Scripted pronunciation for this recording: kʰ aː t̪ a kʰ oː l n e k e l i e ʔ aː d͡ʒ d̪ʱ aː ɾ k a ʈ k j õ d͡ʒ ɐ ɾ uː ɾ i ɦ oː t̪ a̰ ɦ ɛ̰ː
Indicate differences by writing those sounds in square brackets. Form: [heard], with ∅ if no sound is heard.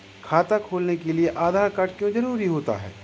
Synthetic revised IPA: kʰ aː t̪ a kʰ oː l n e k e l i e ʔ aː [∅] d̪ʱ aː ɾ k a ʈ k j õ d͡ʒ ɐ ɾ uː ɾ i ɦ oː t̪ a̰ ɦ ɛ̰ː